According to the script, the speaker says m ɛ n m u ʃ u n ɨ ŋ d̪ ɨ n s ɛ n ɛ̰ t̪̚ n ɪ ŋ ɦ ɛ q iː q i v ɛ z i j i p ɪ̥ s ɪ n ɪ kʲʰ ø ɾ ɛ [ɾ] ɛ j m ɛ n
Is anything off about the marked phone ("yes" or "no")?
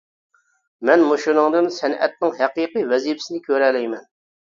yes